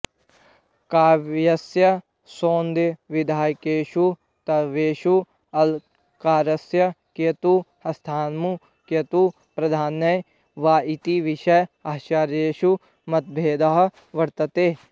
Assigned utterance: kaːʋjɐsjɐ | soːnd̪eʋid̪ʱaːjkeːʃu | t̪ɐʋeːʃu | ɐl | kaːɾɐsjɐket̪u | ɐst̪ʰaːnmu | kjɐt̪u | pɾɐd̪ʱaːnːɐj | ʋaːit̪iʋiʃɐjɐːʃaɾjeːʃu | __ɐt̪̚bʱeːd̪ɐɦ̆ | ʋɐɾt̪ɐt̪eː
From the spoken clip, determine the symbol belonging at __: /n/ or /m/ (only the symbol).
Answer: m